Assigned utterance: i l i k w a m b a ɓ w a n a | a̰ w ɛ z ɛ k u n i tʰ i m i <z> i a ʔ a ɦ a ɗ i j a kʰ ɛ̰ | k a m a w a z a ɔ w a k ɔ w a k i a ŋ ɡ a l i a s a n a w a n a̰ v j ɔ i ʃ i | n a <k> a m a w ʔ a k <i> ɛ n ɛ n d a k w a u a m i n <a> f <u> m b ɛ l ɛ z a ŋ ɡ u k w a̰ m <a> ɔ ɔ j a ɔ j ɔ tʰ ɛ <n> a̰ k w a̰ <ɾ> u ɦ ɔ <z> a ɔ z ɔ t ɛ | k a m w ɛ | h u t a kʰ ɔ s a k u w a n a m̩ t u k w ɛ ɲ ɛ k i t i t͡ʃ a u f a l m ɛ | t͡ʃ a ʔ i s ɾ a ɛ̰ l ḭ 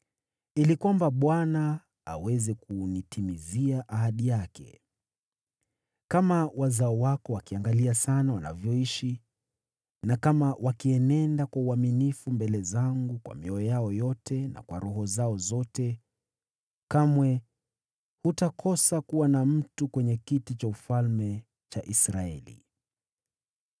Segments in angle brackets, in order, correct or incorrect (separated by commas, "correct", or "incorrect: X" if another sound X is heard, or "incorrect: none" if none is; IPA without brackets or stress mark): correct, correct, correct, incorrect: i, correct, incorrect: i, correct, correct, correct